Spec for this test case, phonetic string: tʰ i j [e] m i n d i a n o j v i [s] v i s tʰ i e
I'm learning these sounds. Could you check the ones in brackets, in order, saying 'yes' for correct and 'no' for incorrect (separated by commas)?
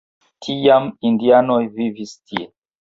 no, no